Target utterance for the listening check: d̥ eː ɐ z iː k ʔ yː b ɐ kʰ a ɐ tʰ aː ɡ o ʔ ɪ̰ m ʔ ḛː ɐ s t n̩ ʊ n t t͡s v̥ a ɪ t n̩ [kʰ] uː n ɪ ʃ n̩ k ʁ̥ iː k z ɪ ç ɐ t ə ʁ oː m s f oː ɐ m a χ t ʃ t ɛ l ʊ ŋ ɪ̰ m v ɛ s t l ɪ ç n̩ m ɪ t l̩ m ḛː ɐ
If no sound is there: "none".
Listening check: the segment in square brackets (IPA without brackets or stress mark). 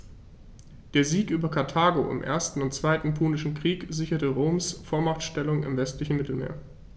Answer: pʰ